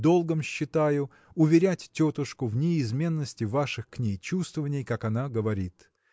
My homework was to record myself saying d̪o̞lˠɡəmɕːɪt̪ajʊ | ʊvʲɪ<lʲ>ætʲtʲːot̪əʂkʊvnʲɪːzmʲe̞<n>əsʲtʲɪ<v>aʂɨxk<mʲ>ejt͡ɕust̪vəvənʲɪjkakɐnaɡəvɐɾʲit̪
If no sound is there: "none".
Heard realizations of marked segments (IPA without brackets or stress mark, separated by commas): ɾʲ, nː, v, nʲ